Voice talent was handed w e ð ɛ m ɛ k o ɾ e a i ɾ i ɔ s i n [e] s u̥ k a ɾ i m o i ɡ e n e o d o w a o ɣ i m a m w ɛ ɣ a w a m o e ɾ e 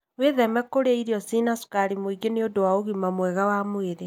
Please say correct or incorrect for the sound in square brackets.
incorrect